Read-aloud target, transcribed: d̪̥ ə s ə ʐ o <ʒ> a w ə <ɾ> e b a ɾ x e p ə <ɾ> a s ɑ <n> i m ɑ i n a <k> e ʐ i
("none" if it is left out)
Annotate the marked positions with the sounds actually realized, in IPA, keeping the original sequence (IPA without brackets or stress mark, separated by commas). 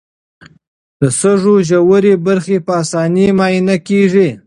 ʒ, ɾ, none, n, k